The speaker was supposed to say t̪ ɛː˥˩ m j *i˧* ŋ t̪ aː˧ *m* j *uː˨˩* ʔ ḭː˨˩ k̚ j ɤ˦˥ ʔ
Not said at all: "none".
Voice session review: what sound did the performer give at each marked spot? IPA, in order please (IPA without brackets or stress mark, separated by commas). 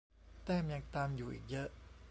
a˧, m, uː˨˩